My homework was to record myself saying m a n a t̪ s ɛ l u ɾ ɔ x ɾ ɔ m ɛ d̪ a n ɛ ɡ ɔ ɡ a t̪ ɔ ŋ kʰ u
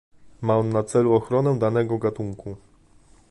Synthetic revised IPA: m a n a t̪ s ɛ l u ɔ x ɾ ɔ n ɛ d̪ a n ɛ ɡ ɔ ɡ a t̪ u ŋ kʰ u